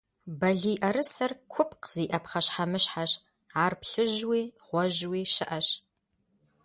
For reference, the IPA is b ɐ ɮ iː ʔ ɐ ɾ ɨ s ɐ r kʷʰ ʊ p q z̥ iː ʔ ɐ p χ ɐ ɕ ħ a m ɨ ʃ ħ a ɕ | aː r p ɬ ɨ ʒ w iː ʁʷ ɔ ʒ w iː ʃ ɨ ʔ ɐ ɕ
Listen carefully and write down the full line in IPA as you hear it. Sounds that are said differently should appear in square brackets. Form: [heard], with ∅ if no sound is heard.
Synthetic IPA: b ɐ ɮ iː ʔ ɐ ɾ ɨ s ɐ r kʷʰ ʊ p q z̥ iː ʔ ɐ p χ ɐ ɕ ħ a m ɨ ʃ ħ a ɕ | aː r p ɬ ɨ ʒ w iː ʁʷ ɔ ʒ w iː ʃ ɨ ʔ ɐ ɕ